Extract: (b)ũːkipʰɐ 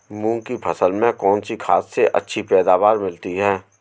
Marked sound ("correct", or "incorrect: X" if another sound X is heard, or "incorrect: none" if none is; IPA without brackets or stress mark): incorrect: m